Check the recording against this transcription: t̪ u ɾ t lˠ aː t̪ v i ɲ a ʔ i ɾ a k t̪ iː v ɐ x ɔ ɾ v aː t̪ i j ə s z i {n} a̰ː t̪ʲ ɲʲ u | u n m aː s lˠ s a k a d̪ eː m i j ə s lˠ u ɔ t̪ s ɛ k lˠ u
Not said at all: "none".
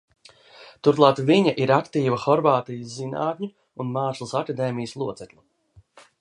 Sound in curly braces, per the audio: n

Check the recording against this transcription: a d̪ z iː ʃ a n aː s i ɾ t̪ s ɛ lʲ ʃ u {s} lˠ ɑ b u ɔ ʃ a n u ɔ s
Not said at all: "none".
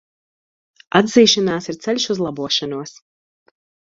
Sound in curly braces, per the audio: z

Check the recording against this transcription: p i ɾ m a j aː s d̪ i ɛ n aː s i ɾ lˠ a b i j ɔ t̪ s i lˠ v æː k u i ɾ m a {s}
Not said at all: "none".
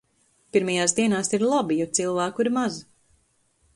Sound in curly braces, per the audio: z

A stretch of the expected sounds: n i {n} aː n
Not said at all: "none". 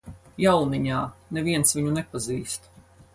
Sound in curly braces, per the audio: ɲ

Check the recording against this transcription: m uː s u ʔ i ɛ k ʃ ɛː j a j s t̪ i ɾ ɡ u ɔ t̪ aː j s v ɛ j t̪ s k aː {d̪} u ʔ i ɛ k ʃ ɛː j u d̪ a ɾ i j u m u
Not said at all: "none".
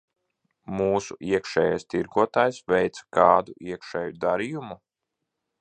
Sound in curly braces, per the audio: d̪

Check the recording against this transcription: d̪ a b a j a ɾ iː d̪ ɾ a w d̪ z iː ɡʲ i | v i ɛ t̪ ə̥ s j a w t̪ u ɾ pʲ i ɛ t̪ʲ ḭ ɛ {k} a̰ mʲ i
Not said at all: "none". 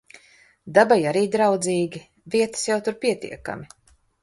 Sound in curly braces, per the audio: k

